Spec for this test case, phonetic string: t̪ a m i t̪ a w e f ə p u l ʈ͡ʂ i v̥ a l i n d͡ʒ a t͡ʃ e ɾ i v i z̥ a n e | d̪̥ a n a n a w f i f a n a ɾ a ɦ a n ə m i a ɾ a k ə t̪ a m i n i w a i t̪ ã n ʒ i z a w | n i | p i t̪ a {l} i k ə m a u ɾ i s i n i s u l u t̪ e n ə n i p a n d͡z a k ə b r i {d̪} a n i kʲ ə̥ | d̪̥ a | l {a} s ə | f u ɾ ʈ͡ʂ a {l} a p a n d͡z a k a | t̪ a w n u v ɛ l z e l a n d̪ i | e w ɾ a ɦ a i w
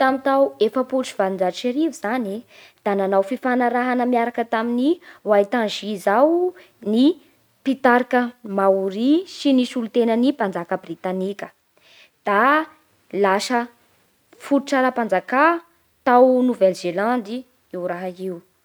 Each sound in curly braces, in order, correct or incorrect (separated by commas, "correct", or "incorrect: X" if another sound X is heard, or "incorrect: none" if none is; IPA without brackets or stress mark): incorrect: ɾ, incorrect: t̪, correct, incorrect: ɾ